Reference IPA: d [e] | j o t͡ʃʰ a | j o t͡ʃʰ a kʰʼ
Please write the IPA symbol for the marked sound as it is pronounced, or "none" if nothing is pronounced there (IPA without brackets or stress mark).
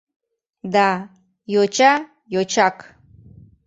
a